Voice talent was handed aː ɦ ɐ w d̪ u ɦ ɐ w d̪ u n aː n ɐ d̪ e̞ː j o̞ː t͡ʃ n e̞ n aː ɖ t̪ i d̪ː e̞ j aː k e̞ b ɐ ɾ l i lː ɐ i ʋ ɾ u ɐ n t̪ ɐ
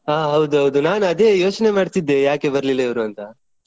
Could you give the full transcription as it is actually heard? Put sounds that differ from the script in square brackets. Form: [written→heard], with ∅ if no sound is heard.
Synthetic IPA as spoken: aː ɦ ɐ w d̪ u ɦ ɐ w d̪ u n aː n ɐ d̪ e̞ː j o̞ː t͡ʃ n e̞ [n→m] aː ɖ t̪ i d̪ː e̞ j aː k e̞ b ɐ ɾ l i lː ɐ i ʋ ɾ u ɐ n t̪ ɐ